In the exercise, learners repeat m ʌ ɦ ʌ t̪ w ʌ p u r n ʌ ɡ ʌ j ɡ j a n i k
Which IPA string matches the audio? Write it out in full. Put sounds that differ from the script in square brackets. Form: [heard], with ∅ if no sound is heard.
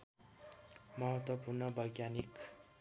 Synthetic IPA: m ʌ ɦ ʌ t̪ w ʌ p u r n ʌ [b] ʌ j ɡ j a n i k